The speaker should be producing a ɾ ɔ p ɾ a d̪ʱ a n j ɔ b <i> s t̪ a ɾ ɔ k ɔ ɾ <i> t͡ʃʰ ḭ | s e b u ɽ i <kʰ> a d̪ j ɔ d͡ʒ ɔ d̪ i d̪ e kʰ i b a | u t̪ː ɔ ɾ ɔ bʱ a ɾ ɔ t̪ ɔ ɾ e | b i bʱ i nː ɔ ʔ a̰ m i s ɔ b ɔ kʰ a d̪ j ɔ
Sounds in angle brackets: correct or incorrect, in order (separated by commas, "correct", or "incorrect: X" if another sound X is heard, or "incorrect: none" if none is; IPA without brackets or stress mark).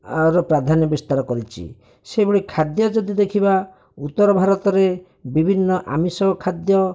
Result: correct, correct, correct